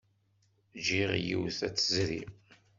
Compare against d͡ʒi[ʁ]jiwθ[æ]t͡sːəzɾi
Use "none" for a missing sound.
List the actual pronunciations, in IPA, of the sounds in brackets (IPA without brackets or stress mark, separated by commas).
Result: ʁ, æ